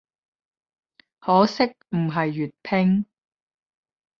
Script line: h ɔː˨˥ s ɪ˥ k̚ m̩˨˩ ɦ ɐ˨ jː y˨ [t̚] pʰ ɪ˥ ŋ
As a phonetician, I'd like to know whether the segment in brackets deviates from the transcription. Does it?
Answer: no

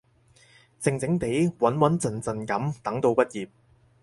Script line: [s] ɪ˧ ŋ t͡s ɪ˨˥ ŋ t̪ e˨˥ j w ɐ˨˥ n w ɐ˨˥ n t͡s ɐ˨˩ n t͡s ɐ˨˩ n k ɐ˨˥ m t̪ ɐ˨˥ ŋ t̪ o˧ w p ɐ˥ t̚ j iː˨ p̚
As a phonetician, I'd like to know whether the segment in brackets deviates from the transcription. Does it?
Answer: yes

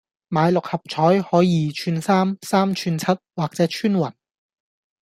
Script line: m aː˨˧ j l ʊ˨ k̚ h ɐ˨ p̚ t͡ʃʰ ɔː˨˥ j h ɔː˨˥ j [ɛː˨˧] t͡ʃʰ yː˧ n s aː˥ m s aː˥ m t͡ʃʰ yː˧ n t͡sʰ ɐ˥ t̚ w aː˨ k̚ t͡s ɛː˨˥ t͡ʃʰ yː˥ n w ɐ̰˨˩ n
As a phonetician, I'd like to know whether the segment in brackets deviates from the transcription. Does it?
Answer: yes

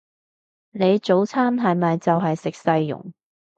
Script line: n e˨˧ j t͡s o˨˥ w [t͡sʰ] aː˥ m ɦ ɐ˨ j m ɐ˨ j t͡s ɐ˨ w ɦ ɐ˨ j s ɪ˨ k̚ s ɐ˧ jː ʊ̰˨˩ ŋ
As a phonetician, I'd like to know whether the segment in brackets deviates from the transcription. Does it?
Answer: no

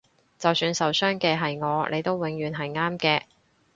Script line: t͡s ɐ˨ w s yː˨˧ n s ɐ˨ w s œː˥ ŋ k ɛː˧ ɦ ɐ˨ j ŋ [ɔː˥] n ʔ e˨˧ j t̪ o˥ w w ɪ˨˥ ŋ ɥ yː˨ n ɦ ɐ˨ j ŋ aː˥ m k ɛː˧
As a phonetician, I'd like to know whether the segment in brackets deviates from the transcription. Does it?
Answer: yes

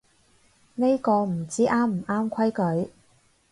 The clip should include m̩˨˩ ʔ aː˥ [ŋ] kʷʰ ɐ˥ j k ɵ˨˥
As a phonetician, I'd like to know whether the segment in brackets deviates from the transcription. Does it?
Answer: yes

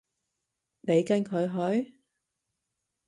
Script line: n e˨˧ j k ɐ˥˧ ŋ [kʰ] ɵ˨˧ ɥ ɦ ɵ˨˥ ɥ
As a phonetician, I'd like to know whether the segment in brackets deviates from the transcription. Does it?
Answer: no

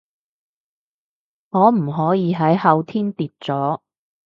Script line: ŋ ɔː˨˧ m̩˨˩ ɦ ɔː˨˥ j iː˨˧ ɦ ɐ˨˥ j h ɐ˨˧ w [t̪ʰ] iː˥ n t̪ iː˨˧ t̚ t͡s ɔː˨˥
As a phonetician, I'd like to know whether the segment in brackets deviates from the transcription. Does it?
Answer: no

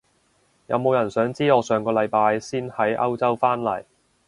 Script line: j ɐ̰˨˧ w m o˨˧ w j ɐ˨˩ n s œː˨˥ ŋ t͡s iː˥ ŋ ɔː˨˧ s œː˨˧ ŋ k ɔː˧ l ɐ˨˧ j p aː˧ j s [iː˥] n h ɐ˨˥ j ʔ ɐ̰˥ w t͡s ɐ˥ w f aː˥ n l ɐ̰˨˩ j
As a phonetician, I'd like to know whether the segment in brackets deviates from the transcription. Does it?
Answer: no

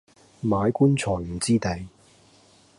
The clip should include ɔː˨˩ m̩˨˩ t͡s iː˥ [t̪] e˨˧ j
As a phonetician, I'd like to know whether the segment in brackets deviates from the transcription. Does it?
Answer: no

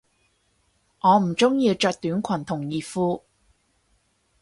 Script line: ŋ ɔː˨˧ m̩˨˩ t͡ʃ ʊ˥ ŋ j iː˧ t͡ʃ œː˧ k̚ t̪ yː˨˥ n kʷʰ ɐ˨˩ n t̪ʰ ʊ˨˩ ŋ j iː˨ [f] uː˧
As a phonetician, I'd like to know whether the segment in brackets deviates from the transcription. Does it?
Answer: no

